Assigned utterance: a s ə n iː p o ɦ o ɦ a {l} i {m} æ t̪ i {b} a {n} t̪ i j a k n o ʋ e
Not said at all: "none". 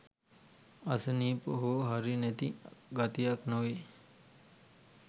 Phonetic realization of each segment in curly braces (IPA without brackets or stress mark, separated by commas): ɾ, n, ɡ, none